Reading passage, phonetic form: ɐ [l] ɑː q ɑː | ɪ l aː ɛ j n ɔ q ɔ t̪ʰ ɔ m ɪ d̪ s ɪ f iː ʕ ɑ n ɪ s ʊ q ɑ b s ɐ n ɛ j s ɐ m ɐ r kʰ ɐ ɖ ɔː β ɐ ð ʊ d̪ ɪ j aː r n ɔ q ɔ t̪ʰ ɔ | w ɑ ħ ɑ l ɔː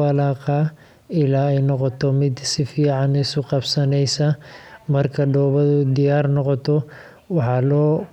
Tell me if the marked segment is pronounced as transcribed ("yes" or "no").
yes